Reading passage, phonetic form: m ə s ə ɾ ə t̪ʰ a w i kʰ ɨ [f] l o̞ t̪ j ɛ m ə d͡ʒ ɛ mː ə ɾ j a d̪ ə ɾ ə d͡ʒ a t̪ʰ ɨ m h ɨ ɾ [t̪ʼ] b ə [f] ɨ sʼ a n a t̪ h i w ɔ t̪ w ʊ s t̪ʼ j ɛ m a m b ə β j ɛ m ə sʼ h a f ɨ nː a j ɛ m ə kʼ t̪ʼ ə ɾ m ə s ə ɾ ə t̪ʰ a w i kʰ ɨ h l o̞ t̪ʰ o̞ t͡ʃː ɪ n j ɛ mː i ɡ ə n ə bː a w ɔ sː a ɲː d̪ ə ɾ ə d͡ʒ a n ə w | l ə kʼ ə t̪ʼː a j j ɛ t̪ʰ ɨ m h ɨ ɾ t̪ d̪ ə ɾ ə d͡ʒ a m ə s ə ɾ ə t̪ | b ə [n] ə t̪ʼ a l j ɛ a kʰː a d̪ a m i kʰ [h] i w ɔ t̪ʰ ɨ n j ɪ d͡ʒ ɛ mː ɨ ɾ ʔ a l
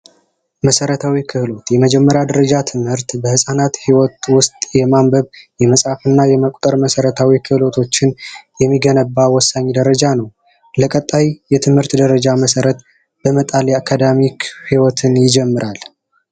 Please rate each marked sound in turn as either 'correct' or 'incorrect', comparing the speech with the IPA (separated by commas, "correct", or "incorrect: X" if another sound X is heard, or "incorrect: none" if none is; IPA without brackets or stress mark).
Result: incorrect: h, incorrect: t̪, incorrect: h, incorrect: m, correct